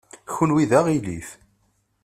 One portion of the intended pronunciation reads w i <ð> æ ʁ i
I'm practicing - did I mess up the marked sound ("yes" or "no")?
no